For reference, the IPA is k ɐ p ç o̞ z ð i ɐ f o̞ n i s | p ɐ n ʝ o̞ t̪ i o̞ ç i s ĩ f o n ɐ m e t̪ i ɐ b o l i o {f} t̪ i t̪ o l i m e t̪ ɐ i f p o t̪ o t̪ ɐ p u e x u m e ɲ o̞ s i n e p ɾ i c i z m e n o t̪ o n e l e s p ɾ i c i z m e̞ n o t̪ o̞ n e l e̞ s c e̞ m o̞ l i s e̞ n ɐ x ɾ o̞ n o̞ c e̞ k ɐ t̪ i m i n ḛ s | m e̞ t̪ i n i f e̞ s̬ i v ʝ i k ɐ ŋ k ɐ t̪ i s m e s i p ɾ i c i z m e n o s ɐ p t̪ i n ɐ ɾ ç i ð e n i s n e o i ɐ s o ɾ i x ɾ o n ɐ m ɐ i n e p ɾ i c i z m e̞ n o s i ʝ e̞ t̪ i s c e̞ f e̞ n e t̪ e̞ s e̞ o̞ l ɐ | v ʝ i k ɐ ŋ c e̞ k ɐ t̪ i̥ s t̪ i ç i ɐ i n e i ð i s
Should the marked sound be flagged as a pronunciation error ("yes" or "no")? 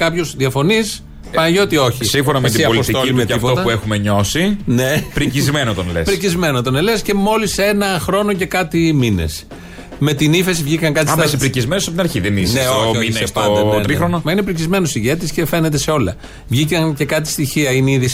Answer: yes